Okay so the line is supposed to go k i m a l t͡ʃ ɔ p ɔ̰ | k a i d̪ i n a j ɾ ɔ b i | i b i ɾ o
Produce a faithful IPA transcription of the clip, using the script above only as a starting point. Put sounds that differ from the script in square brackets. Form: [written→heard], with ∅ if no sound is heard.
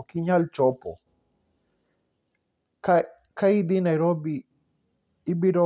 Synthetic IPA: k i [m→ɲ] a l t͡ʃ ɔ p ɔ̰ | k a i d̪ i n a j ɾ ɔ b i | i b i ɾ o